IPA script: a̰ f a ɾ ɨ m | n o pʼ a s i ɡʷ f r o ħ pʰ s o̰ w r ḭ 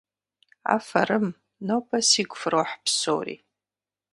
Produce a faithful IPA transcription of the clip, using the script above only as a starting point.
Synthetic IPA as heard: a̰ f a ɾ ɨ m | n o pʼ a s i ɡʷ f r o ħ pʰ s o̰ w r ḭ